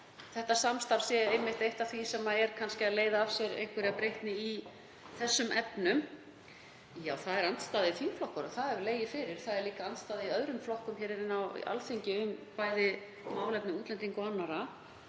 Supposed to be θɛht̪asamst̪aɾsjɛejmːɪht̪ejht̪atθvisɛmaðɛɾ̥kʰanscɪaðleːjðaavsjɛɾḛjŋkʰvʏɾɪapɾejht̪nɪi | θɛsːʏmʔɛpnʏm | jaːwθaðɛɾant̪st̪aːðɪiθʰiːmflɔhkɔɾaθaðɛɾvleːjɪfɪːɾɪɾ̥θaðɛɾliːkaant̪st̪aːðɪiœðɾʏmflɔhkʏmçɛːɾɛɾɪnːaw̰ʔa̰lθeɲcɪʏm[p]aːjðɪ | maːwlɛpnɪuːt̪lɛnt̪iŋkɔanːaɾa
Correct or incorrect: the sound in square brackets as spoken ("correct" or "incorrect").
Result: correct